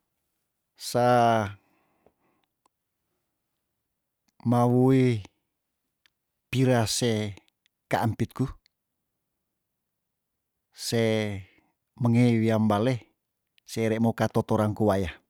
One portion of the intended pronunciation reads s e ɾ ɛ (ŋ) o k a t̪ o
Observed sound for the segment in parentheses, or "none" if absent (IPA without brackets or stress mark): m